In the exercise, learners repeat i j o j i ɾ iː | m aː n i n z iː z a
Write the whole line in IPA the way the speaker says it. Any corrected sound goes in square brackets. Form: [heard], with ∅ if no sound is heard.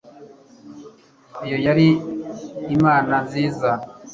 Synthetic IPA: i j o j [a] ɾ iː | m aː n [a] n z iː z a